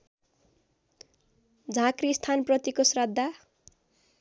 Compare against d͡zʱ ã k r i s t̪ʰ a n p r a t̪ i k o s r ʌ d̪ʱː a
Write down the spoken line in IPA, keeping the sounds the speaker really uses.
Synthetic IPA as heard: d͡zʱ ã k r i s t̪ʰ a n p r ʌ t̪ i k o s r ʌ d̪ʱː a